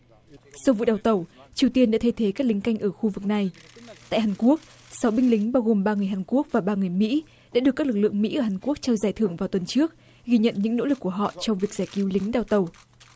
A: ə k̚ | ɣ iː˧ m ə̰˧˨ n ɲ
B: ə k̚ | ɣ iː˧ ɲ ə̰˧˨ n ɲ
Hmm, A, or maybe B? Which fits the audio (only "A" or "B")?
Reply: B